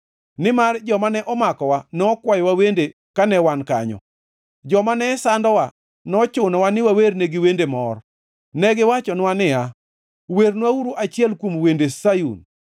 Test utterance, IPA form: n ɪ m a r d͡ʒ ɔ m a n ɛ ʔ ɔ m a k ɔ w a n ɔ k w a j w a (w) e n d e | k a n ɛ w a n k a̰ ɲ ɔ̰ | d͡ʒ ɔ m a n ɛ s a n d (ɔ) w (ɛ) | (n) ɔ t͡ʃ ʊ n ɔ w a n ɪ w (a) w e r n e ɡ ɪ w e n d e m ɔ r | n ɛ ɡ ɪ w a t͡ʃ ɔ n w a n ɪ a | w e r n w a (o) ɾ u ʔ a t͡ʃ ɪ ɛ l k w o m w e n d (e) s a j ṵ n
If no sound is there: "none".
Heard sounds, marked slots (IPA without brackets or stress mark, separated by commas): w, ɔ, a, n, a, u, e